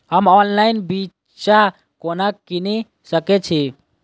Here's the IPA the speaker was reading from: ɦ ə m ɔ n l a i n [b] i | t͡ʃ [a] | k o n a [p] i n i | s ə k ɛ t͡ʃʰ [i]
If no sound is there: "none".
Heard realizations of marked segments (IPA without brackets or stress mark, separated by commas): b, a, k, i